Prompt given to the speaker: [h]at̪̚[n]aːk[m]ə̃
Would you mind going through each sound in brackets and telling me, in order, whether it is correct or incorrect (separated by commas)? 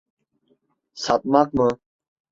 incorrect, incorrect, correct